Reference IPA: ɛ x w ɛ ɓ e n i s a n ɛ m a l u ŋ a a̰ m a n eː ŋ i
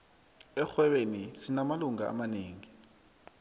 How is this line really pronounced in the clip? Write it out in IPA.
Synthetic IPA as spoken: ɛ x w ɛ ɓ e n i s i n a m a l u ŋ a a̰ m a n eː ŋ i